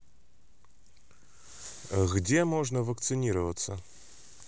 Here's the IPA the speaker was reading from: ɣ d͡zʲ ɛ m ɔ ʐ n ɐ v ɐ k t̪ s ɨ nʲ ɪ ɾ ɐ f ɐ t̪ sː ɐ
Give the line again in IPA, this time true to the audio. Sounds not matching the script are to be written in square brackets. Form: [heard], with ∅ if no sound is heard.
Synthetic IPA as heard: ɣ d͡zʲ ɛ m ɔ ʐ n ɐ v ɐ k t̪ s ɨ nʲ [i] ɾ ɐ [v] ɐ t̪ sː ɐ